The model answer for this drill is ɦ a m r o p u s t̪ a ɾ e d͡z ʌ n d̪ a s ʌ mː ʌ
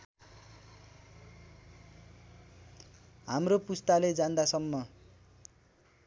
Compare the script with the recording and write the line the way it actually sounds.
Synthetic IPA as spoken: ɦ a m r o p u s t̪ a l e d͡z a n d̪ a s ʌ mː ʌ